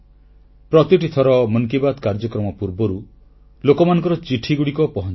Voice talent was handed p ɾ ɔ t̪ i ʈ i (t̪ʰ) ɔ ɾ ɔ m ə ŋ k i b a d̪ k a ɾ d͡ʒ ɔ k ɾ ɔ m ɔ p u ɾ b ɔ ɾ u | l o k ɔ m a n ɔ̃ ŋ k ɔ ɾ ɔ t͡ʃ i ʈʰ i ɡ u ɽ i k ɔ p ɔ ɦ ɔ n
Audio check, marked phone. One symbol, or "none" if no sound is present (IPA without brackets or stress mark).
t̪ʰ